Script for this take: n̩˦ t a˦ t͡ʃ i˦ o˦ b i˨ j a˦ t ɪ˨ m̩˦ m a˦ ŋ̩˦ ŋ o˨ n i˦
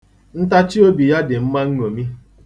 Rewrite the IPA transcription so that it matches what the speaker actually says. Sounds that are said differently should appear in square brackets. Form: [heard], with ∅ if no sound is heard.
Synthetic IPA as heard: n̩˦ t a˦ t͡ʃ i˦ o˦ b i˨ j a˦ [d] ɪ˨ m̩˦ m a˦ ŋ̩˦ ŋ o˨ [m] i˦